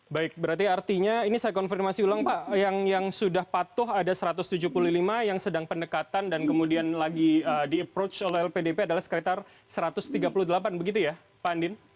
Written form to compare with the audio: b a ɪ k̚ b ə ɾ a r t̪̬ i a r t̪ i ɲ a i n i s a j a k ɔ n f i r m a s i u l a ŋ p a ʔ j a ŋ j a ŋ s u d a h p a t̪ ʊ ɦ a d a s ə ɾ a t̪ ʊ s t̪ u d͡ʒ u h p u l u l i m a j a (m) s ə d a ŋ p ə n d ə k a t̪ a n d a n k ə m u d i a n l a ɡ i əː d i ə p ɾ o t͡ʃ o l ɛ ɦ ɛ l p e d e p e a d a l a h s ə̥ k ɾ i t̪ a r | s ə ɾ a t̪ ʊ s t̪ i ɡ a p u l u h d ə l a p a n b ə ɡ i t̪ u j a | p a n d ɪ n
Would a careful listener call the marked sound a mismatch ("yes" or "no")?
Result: yes